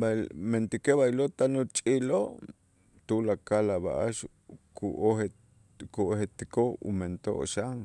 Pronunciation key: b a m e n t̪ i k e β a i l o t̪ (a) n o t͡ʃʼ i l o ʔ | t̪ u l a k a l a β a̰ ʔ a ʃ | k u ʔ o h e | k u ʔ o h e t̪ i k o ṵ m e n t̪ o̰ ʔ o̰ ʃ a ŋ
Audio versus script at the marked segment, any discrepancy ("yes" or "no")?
no